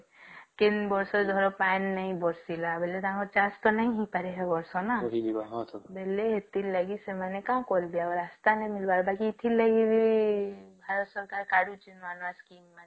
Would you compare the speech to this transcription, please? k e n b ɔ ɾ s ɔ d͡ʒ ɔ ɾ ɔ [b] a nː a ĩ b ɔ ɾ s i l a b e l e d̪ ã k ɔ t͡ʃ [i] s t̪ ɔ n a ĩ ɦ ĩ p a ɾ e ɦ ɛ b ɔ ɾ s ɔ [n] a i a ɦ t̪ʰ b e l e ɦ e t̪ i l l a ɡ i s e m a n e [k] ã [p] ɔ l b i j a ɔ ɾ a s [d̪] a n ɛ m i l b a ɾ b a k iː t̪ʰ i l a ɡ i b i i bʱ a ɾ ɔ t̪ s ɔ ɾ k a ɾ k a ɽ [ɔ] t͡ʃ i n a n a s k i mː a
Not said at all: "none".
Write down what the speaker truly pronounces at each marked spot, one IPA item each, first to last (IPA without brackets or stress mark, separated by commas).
p, a, n, k, k, t̪, u